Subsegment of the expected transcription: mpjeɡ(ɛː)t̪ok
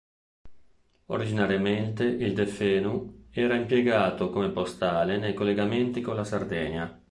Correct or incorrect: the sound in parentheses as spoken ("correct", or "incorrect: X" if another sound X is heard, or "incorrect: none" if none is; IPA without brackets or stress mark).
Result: incorrect: aː